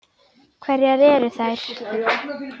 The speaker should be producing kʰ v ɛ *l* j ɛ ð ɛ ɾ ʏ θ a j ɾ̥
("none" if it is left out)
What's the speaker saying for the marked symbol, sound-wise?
ɾ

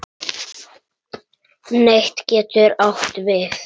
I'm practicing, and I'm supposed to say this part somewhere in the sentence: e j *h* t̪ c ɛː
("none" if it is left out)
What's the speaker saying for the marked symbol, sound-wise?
h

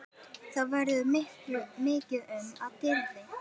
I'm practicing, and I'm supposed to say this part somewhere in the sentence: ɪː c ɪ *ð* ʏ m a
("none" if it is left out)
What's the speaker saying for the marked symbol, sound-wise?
ð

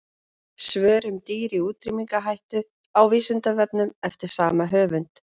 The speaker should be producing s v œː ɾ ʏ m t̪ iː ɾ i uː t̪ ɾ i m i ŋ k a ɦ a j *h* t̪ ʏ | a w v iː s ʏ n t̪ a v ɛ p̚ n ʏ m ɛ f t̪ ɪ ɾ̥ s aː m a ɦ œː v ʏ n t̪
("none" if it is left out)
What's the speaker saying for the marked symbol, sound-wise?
h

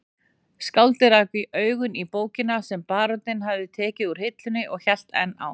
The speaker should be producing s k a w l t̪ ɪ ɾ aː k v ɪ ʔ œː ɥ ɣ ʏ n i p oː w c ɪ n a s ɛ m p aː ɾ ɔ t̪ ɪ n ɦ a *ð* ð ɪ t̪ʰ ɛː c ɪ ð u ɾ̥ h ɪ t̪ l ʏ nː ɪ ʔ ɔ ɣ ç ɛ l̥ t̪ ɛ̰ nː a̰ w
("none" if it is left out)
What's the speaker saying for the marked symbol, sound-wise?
v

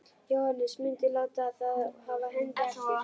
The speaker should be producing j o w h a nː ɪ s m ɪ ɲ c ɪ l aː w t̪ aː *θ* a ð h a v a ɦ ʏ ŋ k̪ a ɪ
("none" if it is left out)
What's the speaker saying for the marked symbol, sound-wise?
θ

